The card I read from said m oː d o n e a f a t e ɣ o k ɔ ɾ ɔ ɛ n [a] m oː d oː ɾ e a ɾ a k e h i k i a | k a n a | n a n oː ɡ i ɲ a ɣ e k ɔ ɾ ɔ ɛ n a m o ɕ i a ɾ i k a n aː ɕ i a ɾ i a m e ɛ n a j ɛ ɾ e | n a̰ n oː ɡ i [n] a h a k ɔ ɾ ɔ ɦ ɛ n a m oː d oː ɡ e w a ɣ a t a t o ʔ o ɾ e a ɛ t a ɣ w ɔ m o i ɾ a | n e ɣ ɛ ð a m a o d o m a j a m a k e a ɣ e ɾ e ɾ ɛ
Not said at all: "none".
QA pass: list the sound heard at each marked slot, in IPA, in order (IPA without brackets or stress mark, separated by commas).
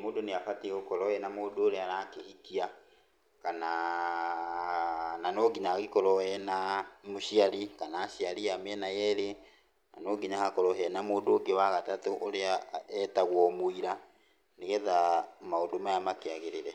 a, ɲ